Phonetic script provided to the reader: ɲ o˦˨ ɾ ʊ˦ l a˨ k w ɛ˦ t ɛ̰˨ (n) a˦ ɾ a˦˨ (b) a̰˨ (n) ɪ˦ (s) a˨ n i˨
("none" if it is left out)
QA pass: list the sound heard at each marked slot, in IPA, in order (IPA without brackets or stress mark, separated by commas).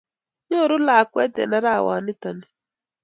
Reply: n, w, n, t